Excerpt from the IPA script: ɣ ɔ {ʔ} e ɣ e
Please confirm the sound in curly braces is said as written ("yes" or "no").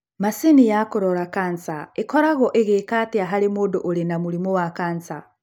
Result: yes